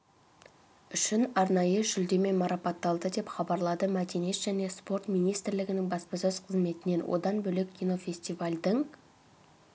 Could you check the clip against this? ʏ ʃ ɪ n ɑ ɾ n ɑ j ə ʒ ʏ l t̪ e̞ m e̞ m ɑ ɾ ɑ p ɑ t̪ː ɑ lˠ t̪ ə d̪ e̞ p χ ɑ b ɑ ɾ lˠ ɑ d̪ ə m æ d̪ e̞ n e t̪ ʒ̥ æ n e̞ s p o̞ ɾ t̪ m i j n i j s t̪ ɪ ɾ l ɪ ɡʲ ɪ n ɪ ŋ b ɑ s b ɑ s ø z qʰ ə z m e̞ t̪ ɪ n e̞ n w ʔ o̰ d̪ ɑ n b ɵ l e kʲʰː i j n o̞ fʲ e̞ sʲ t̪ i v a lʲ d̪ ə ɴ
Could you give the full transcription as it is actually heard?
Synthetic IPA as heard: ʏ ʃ ɪ n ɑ ɾ n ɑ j ə ʒ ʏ l d̪ e̞ m e̞ m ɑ ɾ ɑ p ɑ t̪ː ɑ lˠ d̪ ə d̪ e̞ p χ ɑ b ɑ ɾ lˠ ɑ d̪ ə m æ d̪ e̞ n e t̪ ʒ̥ æ n e̞ s p o̞ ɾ t̪ m i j n i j s t̪ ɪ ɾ l ɪ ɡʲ ɪ n ɪ ŋ b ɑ s p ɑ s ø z qʰ ə z m e̞ t̪ ɪ n e̞ n w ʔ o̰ d̪ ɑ n b ɵ l e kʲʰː i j n o̞ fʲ e̞ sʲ t̪ i v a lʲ d̪ ə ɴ

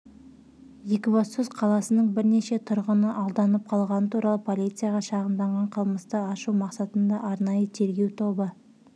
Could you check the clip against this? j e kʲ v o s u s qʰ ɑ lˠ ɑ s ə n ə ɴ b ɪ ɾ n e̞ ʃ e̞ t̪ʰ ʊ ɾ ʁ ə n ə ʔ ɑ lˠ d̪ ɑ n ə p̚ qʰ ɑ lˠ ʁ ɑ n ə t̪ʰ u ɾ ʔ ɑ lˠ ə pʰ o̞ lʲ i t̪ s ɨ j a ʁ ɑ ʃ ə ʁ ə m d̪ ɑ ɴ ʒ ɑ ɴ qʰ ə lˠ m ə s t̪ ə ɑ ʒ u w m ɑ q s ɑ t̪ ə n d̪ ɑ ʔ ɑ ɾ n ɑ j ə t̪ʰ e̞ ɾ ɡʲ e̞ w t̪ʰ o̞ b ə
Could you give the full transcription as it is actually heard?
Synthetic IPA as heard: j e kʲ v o s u s qʰ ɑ lˠ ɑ s ə n ə ɴ b ɪ ɾ n e̞ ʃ e̞ t̪ʰ ʊ ɾ ʁ ə n ə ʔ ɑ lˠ d̪ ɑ n ə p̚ qʰ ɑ lˠ ʁ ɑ n ə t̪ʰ u ɾ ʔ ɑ lˠ ə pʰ o̞ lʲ i t̪ s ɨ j a ʁ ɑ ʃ ɑ ʁ ə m d̪ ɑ ɴ ʁ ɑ ɴ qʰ ə lˠ m ə s t̪ ə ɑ ʃ u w m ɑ q s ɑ t̪ ə n d̪ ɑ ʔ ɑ ɾ n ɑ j ə t̪ʰ e̞ ɾ ɡʲ e̞ w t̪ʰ o̞ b ə

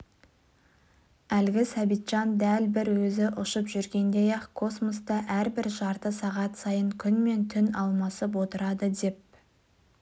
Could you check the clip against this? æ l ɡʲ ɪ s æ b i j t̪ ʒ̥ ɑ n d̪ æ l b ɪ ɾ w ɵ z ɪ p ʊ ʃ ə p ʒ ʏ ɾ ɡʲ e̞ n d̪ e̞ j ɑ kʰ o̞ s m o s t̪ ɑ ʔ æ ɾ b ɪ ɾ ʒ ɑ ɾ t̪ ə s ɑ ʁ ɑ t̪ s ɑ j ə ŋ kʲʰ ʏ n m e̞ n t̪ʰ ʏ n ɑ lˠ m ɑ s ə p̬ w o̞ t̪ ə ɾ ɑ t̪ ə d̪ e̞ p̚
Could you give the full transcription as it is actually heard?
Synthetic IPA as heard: æ l ɡʲ ɪ s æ b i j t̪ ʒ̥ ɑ n d̪ æ l b ɪ ɾ w ɵ z ɪ ʔ ʊ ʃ ə p ʒ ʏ ɾ ɡʲ e̞ n d̪ e̞ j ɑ kʰ o̞ s m o s t̪ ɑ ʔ æ ɾ b ɪ ɾ ʒ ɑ ɾ t̪ ə s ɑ ʁ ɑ t̪ s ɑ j ə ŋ kʲʰ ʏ n m e̞ n t̪ʰ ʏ n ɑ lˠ m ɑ s ə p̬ w o̞ t̪ ə ɾ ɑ d̪ ə d̪ e̞ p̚

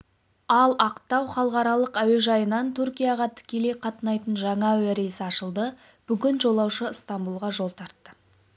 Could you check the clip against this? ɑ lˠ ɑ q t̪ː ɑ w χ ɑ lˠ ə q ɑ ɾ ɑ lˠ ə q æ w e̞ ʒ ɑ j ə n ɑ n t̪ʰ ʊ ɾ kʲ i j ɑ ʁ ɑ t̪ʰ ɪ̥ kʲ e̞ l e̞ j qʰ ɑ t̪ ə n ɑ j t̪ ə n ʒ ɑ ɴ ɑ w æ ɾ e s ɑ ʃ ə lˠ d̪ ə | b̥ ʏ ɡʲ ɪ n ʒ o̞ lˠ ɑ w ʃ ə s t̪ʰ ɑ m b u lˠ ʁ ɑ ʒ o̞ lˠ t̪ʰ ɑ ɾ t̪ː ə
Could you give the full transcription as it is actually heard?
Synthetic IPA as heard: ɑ lˠ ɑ q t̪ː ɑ w χ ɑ lˠ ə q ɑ ɾ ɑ lˠ ə q æ w e̞ ʒ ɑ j ə n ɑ n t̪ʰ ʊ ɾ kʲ i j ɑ ʁ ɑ t̪ʰ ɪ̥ kʲ e̞ l e̞ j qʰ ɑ t̪ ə n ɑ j t̪ ə n ʒ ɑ ɴ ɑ w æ ɾ e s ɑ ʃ ə lˠ d̪ ə | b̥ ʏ ɡʲ ɪ n ʒ o̞ lˠ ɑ w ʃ ə s t̪ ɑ m b u lˠ ʁ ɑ ʒ o̞ lˠ t̪ʰ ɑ ɾ t̪ː ə

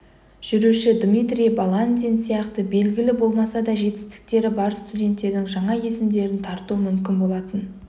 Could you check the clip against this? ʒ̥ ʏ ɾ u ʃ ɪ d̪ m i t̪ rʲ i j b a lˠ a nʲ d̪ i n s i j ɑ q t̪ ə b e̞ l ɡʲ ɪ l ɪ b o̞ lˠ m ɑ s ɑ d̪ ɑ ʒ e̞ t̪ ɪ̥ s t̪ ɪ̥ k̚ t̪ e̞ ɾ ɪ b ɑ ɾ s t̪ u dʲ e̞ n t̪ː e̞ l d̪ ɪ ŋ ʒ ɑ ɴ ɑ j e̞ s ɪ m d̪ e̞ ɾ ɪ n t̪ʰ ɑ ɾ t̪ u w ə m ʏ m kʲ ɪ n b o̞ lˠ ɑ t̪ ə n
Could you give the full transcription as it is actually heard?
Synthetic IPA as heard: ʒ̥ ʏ ɾ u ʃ ɪ d̪ m i t̪ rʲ i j b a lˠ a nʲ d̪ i n s i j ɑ q t̪ ə b e̞ l ɡʲ ɪ l ɪ b o̞ lˠ m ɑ s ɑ d̪ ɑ ʒ e̞ t̪ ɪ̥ s t̪ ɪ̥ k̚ t̪ e̞ ɾ ɪ b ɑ ɾ s t̪ u dʲ e̞ n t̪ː e̞ ɾ d̪ ɪ ŋ ʒ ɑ ɴ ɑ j e̞ s ɪ m d̪ e̞ ɾ ɪ n t̪ʰ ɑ ɾ t̪ u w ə m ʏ m kʲ ɪ n b o̞ lˠ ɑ t̪ ə n

